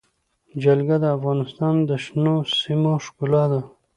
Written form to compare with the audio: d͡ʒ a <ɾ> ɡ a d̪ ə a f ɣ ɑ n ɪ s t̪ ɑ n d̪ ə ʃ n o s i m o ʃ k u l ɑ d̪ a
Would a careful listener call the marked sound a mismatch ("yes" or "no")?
yes